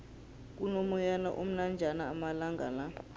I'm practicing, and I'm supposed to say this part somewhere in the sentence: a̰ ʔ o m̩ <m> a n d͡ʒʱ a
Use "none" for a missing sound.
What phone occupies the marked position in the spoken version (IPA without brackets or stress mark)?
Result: n